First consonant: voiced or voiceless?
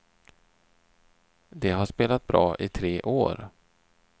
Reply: voiced